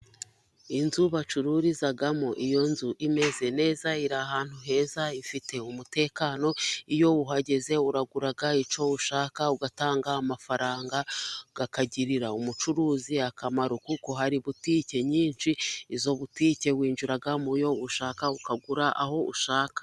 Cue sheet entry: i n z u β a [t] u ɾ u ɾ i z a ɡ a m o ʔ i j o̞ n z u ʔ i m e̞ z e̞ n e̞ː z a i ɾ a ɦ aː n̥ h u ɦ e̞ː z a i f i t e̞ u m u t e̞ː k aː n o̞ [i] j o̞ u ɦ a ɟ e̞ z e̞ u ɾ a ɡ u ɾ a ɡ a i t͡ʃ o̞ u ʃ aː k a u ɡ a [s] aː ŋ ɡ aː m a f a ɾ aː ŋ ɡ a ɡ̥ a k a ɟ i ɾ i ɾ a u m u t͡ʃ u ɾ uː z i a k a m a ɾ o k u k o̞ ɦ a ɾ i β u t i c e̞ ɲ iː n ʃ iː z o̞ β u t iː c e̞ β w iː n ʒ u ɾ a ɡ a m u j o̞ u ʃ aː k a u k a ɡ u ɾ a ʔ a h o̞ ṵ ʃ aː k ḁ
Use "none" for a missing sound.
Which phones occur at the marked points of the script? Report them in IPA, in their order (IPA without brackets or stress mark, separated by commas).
t͡ʃ, i, t